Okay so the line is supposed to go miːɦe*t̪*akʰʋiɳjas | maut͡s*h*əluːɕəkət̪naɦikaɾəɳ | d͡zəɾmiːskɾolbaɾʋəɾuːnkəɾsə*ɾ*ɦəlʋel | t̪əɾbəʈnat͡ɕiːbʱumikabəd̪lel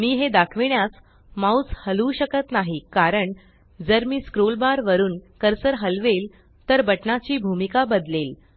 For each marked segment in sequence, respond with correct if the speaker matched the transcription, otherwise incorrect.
incorrect: d̪, correct, correct

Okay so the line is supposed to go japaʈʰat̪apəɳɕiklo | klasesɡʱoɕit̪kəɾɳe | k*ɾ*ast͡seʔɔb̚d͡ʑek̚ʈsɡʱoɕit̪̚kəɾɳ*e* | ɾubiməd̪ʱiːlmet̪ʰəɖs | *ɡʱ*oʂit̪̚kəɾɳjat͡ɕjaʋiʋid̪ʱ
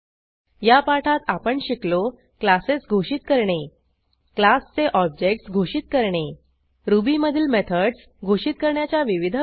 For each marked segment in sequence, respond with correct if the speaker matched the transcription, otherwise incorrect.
incorrect: l, correct, correct

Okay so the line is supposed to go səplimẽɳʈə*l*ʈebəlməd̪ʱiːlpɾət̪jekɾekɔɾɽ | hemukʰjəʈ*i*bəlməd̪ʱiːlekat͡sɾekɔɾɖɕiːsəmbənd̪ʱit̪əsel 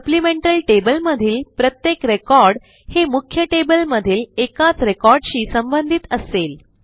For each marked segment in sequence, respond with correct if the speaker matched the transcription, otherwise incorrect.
correct, incorrect: e

